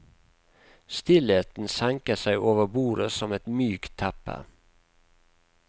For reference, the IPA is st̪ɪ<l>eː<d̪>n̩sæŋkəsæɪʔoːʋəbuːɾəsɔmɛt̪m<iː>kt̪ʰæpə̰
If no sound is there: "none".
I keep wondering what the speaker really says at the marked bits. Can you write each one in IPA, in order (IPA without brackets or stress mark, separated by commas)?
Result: l, t̪, yː